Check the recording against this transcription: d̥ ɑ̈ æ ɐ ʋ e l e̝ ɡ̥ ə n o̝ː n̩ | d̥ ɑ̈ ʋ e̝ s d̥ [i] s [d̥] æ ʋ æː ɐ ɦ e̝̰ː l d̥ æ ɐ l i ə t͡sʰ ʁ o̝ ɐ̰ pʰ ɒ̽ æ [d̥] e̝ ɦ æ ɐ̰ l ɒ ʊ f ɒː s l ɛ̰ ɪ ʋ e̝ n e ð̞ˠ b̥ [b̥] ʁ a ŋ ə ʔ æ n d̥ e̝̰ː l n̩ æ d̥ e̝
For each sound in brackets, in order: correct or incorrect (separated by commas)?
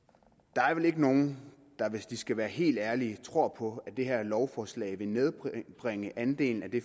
correct, incorrect, correct, correct